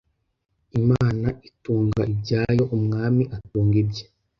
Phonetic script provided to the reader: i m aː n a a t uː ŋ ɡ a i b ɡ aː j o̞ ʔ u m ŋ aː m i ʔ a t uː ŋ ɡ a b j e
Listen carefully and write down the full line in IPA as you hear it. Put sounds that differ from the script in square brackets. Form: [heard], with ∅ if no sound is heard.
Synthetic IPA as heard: i m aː n a [i] t uː ŋ ɡ a i b [ɟ] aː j o̞ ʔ u m ŋ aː m i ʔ a t uː ŋ ɡ [i] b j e